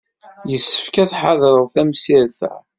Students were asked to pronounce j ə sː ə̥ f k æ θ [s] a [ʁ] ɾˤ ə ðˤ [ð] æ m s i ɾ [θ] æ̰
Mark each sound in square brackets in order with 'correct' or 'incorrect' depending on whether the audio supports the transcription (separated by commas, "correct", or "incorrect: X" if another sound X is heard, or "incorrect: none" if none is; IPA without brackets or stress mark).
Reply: incorrect: ħ, incorrect: ð, incorrect: θ, correct